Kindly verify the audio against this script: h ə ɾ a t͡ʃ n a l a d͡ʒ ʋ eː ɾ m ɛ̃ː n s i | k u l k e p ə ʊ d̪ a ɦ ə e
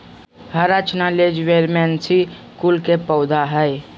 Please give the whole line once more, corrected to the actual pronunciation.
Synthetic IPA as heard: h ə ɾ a t͡ʃ n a l e d͡ʒ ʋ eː ɾ m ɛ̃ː n s i | k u l k e p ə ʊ d̪ a ɦ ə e